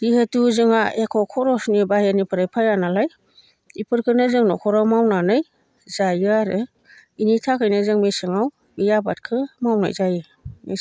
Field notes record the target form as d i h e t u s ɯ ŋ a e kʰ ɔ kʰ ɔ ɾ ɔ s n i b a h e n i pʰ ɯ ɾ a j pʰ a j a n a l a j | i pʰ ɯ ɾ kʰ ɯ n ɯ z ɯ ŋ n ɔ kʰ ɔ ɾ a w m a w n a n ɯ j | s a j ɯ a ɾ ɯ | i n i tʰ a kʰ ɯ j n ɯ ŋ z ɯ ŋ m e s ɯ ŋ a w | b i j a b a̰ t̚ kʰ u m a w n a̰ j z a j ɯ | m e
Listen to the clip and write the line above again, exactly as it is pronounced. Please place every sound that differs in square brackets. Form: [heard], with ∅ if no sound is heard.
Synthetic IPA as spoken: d i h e t u [z] ɯ ŋ a e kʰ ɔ kʰ ɔ ɾ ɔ s n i b a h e n i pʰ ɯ ɾ a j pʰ a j a n a l a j | i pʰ ɯ ɾ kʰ ɯ n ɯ z ɯ ŋ n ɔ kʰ ɔ ɾ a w m a w n a n ɯ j | [z] a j ɯ a ɾ ɯ | i n i tʰ a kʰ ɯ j n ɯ [∅] z ɯ ŋ m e s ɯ ŋ a w | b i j a b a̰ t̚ kʰ [ɯ] m a w n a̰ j z a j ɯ | m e